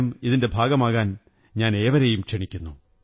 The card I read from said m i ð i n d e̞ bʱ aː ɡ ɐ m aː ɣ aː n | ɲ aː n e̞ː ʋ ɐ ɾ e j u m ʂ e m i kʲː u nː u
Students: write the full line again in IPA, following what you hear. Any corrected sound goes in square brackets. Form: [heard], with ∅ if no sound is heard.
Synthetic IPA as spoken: m i ð i n d e̞ bʱ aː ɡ ɐ m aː ɣ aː n | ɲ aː n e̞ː ʋ ɐ ɾ e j u m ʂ e [ɳ] i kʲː u nː u